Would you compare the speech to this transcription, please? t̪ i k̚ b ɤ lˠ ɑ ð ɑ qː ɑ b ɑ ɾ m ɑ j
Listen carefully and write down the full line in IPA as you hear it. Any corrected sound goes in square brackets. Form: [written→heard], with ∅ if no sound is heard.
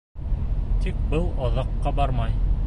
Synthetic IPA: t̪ i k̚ b ɤ lˠ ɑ ð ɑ qː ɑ b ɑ ɾ m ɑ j